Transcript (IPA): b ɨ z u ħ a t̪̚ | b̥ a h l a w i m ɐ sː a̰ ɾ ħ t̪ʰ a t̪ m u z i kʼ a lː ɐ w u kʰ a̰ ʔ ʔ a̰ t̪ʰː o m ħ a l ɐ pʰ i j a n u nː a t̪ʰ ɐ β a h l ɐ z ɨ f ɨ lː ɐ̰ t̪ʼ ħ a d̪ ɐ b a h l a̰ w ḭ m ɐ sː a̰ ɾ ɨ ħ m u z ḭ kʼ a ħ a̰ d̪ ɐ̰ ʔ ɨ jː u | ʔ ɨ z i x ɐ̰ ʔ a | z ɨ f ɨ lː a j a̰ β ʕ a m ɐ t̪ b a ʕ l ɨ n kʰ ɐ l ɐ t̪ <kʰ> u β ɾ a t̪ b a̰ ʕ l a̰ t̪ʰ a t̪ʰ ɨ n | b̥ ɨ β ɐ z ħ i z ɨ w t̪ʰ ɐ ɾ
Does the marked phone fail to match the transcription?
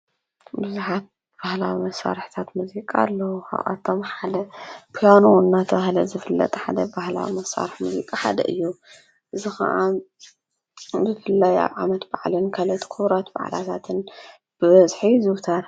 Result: no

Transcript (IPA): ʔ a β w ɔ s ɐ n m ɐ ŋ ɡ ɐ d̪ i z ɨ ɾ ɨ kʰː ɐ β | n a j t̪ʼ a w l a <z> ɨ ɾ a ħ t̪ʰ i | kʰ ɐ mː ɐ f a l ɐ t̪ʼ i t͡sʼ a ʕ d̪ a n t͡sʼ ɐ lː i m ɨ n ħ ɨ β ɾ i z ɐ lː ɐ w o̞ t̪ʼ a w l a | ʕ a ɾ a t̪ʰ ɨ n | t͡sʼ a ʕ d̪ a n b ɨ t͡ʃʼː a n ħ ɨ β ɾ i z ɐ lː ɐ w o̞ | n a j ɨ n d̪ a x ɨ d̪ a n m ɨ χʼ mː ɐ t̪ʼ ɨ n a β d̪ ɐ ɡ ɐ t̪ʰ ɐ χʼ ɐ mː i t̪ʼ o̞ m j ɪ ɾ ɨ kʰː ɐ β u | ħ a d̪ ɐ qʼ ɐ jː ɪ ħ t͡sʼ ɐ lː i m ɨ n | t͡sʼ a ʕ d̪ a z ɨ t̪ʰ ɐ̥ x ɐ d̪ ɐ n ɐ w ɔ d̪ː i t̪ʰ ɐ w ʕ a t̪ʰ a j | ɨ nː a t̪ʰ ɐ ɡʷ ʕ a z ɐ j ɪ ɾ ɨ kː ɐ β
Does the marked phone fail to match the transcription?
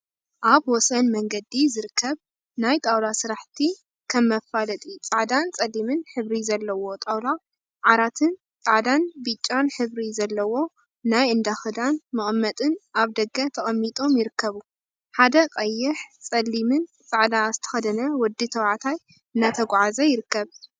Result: yes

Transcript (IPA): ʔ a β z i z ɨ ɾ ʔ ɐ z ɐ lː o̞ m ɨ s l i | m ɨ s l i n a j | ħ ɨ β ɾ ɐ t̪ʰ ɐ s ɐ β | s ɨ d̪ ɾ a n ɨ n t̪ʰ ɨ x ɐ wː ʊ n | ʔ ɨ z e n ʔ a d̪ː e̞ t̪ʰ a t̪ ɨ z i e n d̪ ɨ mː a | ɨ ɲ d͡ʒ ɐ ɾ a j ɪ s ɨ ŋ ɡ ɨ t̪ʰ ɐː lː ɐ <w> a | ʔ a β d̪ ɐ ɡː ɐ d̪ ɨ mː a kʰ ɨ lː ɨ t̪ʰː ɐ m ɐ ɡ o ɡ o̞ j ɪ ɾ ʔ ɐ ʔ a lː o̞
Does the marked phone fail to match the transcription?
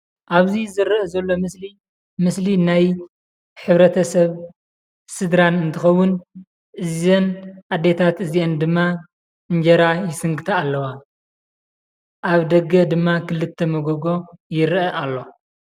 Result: no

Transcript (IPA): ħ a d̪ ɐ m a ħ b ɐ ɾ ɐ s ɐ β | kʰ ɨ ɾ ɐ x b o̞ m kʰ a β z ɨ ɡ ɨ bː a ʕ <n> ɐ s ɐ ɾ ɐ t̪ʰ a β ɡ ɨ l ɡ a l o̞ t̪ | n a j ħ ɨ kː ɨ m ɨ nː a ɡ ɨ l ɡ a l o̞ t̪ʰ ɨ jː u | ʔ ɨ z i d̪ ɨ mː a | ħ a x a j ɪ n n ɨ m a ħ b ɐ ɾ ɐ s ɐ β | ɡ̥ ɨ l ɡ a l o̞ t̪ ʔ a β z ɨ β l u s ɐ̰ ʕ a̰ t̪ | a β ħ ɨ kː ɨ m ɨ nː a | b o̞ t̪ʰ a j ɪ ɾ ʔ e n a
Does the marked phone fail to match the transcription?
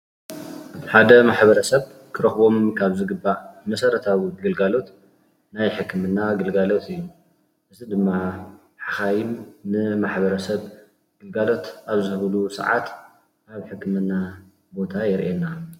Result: yes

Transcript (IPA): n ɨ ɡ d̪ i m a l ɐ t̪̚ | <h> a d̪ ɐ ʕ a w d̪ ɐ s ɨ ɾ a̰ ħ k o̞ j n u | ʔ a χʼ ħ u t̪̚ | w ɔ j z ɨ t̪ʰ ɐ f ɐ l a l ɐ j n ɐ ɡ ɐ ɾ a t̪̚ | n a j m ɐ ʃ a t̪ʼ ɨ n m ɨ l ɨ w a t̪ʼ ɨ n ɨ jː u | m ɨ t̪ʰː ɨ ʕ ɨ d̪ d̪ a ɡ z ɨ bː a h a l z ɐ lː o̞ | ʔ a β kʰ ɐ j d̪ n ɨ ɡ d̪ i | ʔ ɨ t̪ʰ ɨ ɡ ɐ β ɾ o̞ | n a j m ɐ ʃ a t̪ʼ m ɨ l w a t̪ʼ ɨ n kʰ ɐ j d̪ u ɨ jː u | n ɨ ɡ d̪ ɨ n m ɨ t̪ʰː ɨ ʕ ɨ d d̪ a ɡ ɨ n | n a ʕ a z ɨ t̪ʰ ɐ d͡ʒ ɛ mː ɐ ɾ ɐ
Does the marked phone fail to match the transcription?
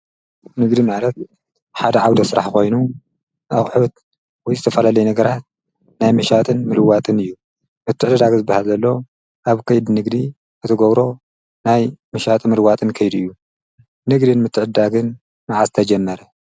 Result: yes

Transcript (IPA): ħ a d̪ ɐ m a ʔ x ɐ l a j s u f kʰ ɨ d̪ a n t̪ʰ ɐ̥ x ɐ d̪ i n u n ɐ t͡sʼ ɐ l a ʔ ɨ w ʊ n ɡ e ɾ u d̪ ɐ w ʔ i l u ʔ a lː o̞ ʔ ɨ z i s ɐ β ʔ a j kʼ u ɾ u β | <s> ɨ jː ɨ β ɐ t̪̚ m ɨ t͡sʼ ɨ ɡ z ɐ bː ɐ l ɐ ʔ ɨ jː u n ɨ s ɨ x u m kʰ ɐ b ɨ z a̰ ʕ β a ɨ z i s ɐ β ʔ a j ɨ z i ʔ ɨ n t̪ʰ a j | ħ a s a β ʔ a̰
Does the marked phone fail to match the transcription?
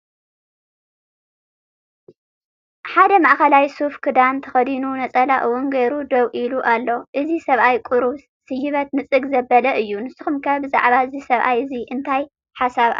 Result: no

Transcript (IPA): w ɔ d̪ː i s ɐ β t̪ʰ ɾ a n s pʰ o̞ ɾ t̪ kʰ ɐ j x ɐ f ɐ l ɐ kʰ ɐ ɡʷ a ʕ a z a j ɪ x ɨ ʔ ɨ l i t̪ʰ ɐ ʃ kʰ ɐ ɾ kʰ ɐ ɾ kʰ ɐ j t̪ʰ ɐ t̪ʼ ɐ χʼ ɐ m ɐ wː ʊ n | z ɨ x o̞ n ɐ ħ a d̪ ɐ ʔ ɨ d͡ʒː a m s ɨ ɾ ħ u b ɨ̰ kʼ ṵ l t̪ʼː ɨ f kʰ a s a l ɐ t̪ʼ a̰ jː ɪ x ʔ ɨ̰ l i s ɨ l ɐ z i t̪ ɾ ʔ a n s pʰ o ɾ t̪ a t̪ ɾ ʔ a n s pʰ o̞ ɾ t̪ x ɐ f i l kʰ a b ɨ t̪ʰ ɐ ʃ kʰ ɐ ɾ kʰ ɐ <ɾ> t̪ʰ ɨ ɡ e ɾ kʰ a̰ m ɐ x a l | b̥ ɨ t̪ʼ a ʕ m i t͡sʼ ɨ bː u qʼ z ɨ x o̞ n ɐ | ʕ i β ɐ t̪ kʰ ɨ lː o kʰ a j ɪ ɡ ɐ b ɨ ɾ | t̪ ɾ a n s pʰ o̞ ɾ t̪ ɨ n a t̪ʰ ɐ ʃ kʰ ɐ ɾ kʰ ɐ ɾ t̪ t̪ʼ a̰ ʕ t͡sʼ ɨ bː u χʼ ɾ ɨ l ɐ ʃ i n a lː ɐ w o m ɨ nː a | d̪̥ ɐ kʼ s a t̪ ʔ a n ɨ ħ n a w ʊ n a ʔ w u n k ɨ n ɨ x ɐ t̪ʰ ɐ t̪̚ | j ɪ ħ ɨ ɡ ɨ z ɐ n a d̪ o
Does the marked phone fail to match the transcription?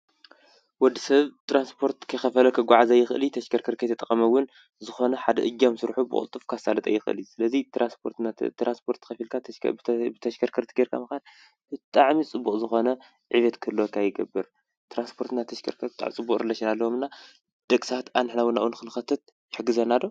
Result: no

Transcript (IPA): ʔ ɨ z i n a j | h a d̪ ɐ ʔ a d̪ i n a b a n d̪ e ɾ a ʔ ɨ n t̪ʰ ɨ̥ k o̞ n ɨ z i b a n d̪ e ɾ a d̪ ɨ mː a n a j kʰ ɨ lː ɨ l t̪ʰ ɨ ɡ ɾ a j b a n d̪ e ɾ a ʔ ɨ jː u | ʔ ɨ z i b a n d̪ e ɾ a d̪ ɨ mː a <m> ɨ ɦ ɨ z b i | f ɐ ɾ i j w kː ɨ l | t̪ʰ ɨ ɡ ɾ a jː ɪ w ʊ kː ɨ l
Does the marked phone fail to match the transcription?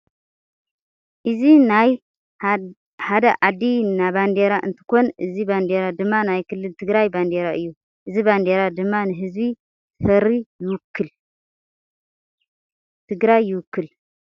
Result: yes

